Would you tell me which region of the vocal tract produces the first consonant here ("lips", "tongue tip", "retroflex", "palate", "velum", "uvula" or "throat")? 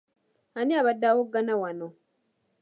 tongue tip